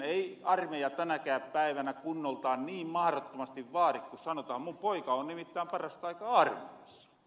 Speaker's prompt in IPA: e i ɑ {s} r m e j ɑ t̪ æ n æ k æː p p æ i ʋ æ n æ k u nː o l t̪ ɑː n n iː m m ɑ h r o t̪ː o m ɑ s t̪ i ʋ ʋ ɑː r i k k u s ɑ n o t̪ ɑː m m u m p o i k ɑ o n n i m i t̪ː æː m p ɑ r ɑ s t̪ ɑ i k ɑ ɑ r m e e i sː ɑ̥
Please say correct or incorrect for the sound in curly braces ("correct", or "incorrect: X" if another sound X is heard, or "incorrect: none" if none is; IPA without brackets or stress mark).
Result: incorrect: none